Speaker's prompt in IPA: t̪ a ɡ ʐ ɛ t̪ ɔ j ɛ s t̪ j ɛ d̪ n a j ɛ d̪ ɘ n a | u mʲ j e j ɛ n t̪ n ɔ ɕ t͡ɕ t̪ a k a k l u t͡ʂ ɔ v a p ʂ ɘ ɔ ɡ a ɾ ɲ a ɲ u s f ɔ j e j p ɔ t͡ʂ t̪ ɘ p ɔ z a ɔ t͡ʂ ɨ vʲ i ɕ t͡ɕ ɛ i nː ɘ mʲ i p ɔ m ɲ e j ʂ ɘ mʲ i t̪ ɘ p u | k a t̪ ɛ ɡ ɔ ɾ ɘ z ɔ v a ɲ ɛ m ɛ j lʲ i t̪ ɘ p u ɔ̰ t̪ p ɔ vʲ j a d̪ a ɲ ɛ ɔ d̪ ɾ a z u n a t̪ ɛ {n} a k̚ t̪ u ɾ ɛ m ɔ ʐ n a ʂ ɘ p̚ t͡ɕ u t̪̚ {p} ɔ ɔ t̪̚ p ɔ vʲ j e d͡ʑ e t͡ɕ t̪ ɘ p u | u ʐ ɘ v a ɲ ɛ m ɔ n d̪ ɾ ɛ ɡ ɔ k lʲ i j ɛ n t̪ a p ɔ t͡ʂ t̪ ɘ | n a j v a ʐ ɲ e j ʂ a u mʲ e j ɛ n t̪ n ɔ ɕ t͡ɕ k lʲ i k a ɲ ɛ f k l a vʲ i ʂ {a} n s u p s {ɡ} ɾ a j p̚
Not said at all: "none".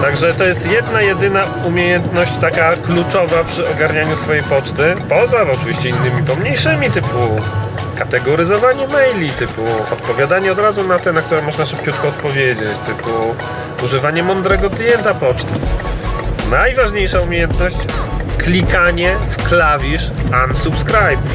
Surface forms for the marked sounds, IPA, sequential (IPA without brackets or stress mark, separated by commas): n, k, a, k